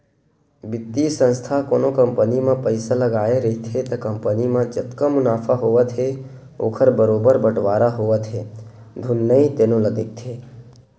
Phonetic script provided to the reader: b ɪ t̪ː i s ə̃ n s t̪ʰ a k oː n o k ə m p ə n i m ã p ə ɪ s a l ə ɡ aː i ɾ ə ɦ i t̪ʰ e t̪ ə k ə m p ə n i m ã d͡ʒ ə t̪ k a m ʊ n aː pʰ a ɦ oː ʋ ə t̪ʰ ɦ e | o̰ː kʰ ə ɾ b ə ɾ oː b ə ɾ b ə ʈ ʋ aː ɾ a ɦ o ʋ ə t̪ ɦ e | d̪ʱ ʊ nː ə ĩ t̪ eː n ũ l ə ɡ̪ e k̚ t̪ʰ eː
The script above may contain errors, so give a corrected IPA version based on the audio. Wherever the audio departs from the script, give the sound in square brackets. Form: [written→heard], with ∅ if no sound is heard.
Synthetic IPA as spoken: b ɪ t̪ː i s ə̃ n s t̪ʰ a k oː n o k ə m p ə n i m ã p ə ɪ s a l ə ɡ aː [i→e] ɾ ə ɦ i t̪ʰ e t̪ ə k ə m p ə n i m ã d͡ʒ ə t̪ k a m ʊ n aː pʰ a ɦ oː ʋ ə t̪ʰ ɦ e | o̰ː kʰ ə ɾ b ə ɾ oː b ə ɾ b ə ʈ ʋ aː ɾ a ɦ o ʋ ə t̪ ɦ e | d̪ʱ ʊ nː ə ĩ t̪ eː n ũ l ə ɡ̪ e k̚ t̪ʰ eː